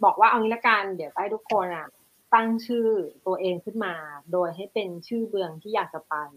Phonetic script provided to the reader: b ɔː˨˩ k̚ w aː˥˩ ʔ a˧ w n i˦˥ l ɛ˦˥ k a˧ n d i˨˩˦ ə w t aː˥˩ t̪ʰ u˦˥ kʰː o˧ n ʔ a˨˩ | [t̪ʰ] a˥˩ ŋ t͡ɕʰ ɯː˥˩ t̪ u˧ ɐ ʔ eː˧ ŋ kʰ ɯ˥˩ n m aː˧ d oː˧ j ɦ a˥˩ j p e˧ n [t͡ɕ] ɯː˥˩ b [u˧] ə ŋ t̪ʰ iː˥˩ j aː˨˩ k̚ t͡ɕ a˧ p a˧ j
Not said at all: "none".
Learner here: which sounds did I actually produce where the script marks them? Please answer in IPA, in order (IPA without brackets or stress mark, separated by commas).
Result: t̪, t͡ɕʰ, ɯ˧